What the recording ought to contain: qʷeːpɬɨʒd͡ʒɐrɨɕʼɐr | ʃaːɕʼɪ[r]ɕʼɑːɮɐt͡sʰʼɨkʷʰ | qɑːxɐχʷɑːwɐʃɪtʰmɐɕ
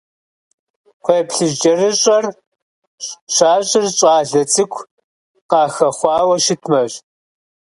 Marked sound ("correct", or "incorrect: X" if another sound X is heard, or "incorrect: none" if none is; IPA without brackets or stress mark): correct